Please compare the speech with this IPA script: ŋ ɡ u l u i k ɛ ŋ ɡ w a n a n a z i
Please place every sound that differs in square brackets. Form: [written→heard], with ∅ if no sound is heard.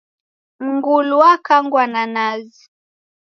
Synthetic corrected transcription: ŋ ɡ u l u [i→a] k [ɛ→a] ŋ ɡ w a n a n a z i